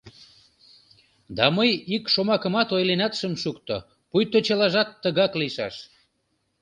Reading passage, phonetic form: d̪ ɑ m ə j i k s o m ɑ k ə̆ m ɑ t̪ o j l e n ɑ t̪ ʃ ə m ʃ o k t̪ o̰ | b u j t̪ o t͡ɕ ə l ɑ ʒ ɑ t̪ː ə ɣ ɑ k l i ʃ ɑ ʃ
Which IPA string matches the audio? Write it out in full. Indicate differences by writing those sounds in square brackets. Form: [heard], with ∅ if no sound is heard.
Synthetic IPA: d̪ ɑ m ə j i k [ʃ] o m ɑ k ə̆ m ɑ t̪ o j l e n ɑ t̪ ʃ ə m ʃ [u] k t̪ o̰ | [p] u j t̪ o t͡ɕ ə l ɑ ʒ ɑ t̪ː ə ɣ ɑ k l i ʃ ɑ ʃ